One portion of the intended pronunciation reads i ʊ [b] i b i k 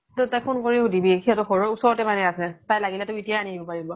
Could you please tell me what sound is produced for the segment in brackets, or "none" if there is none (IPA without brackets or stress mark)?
d